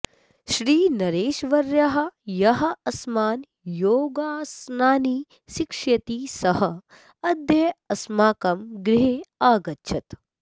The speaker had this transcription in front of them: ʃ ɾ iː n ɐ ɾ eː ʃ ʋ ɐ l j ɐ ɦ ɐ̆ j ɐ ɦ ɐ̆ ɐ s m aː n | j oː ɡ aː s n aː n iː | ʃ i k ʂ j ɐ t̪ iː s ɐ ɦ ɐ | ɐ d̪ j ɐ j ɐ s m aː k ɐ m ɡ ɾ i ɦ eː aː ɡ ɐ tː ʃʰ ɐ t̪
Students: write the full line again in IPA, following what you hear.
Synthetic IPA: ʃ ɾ iː n ɐ ɾ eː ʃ ʋ ɐ ɾ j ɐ ɦ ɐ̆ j ɐ ɦ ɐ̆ ɐ s m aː n | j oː ɡ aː s n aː n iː | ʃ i k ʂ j ɐ t̪ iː s ɐ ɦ ɐ | ɐ d̪ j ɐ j ɐ s m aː k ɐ m ɡ ɾ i ɦ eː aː ɡ ɐ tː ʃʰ ɐ t̪

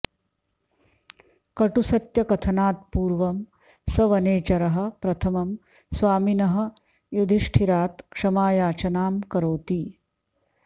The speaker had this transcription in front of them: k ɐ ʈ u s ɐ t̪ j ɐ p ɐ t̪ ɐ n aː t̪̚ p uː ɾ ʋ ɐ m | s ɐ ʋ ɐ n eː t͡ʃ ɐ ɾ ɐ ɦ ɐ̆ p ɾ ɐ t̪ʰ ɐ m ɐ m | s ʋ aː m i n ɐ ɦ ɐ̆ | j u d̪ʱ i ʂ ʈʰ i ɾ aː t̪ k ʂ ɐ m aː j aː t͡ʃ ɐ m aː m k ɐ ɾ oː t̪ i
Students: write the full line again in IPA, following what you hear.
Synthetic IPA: k ɐ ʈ u s ɐ t̪ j ɐ k ɐ t̪ʰ ɐ n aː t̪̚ p uː ɾ ʋ ɐ m | s ɐ ʋ ɐ n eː t͡ʃ ɐ ɾ ɐ ɦ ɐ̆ p ɾ ɐ t̪ʰ ɐ m ɐ m | s ʋ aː m i n ɐ ɦ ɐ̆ | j u d̪ʱ i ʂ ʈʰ i ɾ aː t̪ k ʂ ɐ m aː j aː t͡ʃ ɐ n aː m k ɐ ɾ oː t̪ i

